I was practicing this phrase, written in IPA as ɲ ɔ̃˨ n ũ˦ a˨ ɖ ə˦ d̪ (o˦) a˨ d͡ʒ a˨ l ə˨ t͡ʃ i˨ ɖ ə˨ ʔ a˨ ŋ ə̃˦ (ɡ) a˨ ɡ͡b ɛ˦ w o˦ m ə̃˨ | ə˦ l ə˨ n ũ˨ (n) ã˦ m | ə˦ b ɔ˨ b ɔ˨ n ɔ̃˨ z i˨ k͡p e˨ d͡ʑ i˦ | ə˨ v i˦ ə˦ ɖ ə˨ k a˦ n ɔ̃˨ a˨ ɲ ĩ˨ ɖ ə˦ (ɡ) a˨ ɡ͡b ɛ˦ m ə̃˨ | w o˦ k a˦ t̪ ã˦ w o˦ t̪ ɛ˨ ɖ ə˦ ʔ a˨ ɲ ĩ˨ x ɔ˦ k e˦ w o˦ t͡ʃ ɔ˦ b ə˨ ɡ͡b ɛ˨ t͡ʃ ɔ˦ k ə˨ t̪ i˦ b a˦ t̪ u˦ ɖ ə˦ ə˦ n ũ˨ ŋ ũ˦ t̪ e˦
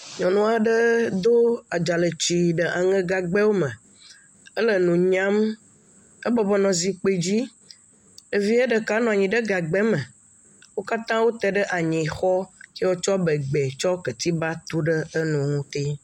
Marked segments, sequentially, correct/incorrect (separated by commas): correct, correct, incorrect, correct